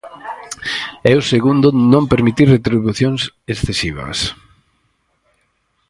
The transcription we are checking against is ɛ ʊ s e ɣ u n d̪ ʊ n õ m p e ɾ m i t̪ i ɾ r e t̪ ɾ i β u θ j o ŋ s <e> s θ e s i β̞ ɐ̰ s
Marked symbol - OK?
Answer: yes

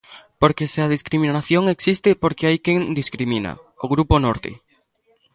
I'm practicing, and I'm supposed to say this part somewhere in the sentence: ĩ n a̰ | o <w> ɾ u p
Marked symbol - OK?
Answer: no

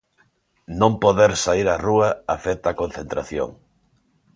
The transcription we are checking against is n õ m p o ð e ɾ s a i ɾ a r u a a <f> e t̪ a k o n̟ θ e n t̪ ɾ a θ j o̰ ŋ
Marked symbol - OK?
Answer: yes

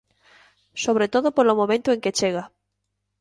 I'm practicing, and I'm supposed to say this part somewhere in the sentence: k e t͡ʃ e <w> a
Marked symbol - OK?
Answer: no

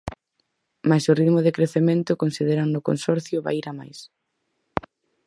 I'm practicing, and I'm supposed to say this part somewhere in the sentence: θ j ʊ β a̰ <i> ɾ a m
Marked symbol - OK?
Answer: yes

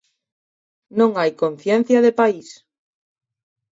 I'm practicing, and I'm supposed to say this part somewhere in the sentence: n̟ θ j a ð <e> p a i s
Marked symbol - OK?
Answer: yes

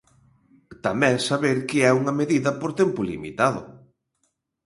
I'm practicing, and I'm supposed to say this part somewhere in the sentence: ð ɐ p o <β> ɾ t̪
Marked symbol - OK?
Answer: no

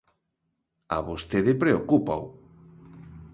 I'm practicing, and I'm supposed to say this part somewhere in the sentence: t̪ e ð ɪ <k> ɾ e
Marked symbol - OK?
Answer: no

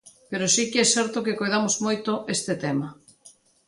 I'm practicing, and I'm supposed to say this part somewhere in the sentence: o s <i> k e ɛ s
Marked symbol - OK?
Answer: yes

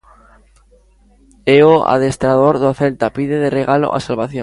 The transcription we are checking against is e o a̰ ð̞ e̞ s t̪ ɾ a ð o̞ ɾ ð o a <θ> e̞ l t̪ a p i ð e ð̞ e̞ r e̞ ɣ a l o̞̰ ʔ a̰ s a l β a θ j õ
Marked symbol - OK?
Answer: yes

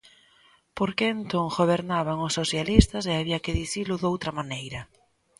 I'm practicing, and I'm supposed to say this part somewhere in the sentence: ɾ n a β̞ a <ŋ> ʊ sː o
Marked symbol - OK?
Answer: yes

